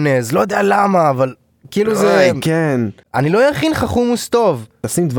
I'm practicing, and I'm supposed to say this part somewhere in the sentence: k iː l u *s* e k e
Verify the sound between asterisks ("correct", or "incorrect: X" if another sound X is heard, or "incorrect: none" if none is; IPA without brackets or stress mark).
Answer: incorrect: z